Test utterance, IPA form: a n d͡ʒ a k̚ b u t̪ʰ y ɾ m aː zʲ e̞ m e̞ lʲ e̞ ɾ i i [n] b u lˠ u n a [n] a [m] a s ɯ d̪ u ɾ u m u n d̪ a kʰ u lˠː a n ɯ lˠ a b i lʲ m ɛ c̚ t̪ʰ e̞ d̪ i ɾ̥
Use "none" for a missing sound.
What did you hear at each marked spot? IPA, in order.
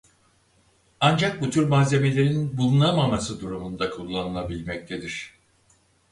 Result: n, m, m

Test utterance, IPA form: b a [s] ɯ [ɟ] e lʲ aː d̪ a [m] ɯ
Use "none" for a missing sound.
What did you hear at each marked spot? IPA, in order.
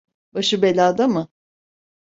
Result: ʃ, b, m

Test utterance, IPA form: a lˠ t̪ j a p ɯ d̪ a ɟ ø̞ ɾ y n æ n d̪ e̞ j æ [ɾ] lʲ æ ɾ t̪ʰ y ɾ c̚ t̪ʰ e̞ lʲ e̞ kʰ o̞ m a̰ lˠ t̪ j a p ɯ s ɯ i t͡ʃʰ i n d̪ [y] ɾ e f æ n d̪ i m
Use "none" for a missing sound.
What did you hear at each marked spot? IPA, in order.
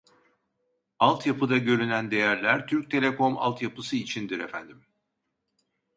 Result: ɾ, i

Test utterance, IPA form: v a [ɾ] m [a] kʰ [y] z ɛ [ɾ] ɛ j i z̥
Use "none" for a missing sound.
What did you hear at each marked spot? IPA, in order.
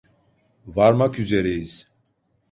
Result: ɾ, a, y, ɾ

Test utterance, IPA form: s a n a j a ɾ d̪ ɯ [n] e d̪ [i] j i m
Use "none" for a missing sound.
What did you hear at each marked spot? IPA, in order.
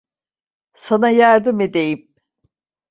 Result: m, e

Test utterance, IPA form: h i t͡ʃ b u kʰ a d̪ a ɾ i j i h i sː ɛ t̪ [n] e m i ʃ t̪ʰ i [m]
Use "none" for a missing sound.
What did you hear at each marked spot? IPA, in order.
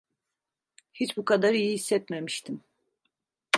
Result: m, m

